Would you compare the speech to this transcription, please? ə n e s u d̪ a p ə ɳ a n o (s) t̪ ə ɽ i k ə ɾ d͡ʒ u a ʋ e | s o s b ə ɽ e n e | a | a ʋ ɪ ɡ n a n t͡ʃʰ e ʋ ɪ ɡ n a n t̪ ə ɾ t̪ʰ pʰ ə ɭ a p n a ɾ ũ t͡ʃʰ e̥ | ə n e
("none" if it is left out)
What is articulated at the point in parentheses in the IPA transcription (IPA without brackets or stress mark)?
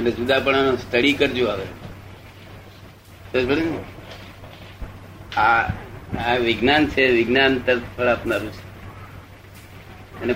s